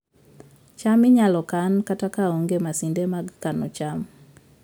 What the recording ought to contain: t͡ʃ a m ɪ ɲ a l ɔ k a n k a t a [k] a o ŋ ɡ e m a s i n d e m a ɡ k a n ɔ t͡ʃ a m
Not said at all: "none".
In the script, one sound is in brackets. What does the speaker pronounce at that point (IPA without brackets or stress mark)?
k